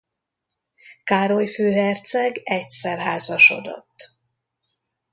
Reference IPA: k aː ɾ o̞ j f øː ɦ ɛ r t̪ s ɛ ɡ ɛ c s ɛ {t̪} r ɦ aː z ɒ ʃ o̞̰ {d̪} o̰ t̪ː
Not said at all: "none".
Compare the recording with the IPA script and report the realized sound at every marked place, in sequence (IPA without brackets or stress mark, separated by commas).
none, d̪